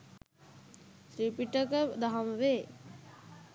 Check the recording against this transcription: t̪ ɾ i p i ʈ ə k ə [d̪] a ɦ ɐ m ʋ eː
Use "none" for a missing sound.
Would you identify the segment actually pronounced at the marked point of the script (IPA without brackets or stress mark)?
d̪